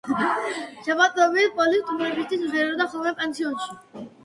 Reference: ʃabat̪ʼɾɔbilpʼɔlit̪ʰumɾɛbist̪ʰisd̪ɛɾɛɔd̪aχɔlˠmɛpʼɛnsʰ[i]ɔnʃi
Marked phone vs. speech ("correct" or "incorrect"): correct